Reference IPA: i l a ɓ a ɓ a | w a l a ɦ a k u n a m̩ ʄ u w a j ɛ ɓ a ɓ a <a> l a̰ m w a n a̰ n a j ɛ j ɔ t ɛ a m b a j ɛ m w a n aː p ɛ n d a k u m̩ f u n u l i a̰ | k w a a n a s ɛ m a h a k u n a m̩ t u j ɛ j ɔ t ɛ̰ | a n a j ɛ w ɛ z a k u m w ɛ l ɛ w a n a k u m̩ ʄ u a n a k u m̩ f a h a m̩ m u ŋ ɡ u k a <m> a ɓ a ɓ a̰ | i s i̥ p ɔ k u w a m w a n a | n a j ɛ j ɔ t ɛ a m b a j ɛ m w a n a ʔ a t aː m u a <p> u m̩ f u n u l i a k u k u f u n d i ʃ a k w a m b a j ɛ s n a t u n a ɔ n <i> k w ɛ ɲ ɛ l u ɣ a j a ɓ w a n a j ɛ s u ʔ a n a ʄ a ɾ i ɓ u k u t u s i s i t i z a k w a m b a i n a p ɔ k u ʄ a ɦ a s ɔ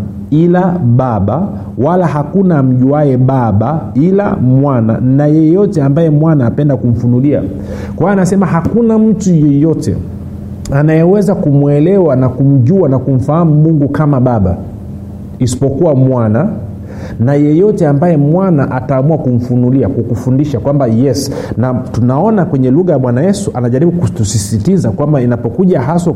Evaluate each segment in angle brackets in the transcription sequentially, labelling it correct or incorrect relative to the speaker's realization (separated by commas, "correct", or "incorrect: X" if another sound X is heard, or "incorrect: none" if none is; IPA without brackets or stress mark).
incorrect: i, correct, incorrect: k, incorrect: a